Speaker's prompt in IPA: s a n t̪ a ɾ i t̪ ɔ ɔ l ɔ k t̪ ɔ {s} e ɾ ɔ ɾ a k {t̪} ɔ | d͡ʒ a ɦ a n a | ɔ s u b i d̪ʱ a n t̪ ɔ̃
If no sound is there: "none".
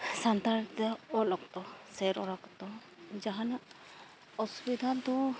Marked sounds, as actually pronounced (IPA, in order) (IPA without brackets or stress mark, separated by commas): s, t̪